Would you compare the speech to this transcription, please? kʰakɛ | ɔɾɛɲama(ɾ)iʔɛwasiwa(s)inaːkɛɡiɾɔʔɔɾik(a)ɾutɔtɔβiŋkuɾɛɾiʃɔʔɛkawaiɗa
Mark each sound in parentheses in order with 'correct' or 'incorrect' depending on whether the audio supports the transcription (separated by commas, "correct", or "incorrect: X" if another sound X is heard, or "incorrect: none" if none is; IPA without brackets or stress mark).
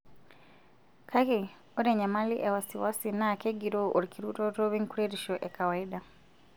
incorrect: l, correct, incorrect: i